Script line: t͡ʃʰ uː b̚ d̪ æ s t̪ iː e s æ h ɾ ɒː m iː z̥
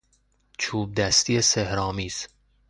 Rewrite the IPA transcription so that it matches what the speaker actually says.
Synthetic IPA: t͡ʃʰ uː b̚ d̪ æ s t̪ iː e s e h ɾ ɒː m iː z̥